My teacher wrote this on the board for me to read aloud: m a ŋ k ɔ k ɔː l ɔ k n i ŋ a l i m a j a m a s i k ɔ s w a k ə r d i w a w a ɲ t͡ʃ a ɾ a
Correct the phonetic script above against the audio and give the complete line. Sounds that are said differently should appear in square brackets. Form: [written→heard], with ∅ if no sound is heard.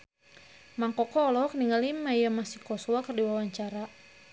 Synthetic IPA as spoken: m a ŋ k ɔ k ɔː l ɔ k n i ŋ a l i m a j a m a s i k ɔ s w a k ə r d i w a w a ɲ t͡ʃ a ɾ a